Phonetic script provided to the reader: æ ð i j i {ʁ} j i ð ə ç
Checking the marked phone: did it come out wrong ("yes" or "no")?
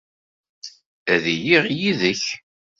no